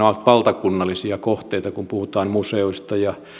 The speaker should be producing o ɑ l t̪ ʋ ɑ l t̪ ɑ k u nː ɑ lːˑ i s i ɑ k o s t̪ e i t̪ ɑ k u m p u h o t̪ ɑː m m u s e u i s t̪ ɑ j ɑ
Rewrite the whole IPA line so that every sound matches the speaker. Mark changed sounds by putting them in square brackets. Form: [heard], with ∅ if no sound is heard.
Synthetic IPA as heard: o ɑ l t̪ ʋ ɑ l t̪ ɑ k u nː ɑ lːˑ i s i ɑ k o [h] t̪ e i t̪ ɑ k u m p u h [u] t̪ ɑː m m u s e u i s t̪ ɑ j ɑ